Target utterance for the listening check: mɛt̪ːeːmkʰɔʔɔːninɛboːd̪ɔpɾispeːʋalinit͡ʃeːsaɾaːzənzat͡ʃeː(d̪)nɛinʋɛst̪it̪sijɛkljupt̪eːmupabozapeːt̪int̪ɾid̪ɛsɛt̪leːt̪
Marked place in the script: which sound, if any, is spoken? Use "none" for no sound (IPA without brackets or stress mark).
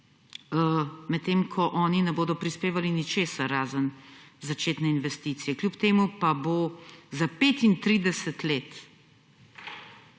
t̪